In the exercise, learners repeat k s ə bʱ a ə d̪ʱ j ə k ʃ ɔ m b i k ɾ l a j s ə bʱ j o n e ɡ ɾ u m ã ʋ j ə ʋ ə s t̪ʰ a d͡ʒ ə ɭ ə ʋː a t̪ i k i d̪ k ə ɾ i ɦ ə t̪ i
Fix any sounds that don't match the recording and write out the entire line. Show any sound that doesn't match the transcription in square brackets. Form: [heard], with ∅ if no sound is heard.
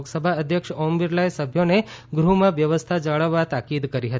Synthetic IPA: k s ə bʱ a ə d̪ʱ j ə k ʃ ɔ m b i [∅] ɾ l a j s ə bʱ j o n e ɡ ɾ u m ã ʋ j ə ʋ ə s t̪ʰ a d͡ʒ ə ɭ ə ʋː a t̪ [a] k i d̪ k ə ɾ i ɦ ə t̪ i

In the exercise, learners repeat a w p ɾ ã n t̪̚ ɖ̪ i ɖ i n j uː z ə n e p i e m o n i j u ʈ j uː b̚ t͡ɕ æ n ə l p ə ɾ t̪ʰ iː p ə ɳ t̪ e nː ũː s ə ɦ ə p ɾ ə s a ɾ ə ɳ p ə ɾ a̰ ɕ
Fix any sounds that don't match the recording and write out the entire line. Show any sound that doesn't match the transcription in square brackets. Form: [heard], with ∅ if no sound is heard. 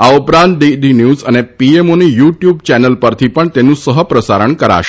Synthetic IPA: a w p ɾ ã n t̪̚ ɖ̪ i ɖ i n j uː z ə n e p i e m o n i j u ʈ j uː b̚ t͡ɕ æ n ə l p ə ɾ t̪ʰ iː p ə ɳ t̪ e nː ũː s ə ɦ ə p ɾ ə s a ɾ ə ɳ [k] ə ɾ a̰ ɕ

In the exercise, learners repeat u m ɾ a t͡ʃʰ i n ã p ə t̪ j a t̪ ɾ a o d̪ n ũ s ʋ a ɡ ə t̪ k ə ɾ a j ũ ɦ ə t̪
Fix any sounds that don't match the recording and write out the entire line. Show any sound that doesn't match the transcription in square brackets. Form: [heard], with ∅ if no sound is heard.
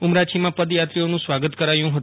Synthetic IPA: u m ɾ a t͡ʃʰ i [m] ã p ə [d̪] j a t̪ ɾ [i] o [∅] n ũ s ʋ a ɡ ə t̪ k ə ɾ a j ũ ɦ ə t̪

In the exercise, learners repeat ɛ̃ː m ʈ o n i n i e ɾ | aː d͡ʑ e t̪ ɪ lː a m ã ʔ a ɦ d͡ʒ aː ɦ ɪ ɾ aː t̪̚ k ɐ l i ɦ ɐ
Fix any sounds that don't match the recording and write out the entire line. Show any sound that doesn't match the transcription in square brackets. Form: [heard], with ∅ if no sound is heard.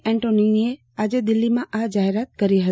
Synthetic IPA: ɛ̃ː [ɳ] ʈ o n i n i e [∅] | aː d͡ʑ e [d̪] ɪ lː [i] m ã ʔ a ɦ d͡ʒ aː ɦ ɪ ɾ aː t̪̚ k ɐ [ɾ] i ɦ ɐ

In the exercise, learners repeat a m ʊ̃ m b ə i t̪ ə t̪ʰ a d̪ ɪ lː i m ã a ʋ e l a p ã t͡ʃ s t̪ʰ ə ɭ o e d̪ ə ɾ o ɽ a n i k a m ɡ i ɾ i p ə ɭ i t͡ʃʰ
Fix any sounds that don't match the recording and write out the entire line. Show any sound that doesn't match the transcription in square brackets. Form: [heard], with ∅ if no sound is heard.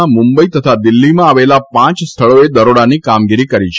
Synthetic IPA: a m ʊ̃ m b ə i t̪ ə t̪ʰ a d̪ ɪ lː i m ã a ʋ e l a p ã t͡ʃ s t̪ʰ ə ɭ o e d̪ ə ɾ o ɽ a n i k a m ɡ i ɾ i [k] ə [ɾ] i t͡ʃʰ

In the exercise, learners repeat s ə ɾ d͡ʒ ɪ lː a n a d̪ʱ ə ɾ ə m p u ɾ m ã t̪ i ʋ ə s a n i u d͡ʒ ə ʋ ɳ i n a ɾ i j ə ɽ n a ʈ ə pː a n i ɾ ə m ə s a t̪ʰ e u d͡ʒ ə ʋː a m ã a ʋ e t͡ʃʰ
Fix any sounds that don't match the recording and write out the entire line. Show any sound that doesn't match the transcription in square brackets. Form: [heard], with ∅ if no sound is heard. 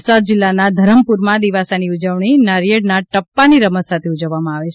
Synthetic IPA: s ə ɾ d͡ʒ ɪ lː a n a d̪ʱ ə ɾ ə m p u ɾ m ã [d̪] i ʋ [a] s a n i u d͡ʒ ə ʋ ɳ i n a ɾ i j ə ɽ n a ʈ ə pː a n i ɾ ə m ə s a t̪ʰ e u d͡ʒ ə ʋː a m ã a ʋ e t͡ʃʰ

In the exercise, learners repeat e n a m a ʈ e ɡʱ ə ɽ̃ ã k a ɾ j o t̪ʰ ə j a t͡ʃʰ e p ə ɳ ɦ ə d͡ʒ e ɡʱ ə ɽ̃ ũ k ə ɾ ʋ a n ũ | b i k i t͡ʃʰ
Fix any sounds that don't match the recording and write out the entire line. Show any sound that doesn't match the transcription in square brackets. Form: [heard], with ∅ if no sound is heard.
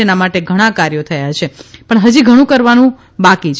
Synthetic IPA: e n a m a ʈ e ɡʱ ə ɽ̃ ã k a ɾ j o t̪ʰ ə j a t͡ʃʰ e p ə ɳ ɦ ə d͡ʒ [i] ɡʱ ə ɽ̃ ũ k ə ɾ ʋ a n ũ | b [a] k i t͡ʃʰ

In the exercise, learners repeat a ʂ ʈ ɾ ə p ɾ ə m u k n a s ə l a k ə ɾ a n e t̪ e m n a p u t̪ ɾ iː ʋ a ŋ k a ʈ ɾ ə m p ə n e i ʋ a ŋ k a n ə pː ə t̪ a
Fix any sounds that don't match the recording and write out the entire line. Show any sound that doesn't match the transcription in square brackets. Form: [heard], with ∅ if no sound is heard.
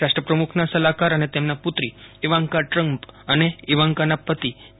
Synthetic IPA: a ʂ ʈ ɾ ə p ɾ ə m u [kʰ] n a s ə l a k [a] ɾ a n e t̪ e m n a p u t̪ ɾ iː ʋ a ŋ k a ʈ ɾ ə m p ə n e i ʋ a ŋ k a n [a] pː ə t̪ [i]

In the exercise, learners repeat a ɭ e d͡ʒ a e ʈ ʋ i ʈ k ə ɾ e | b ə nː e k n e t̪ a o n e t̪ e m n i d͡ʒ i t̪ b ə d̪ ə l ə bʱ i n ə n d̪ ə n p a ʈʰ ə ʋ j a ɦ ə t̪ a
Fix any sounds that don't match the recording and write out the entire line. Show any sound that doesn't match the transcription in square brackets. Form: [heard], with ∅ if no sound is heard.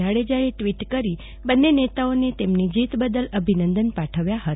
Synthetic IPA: a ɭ e d͡ʒ a e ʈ ʋ i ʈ k ə ɾ [i] | b ə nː e [∅] n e t̪ a o n e t̪ e m n i d͡ʒ i t̪ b ə d̪ ə l ə bʱ i n ə n d̪ ə n p a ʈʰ ə ʋ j a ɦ ə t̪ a

